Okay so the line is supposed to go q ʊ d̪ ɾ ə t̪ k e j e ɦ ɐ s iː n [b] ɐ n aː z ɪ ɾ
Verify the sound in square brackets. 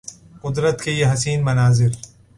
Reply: incorrect: m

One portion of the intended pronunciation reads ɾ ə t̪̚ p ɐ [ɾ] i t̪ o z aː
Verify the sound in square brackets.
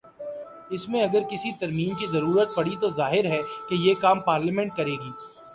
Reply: incorrect: ɽ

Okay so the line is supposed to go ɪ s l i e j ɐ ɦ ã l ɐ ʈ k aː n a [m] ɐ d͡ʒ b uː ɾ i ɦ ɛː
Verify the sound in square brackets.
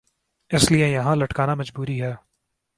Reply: correct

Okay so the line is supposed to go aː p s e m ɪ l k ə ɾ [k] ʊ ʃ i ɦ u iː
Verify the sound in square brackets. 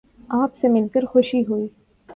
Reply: incorrect: x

